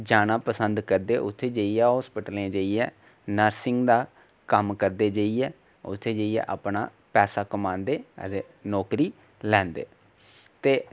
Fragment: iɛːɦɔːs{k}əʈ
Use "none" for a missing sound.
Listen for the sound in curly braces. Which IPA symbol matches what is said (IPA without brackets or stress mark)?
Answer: p